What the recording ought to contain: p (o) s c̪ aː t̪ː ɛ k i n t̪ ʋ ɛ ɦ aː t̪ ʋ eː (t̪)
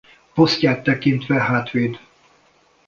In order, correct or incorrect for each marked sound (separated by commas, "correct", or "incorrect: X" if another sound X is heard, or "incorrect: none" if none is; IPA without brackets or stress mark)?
correct, incorrect: d̪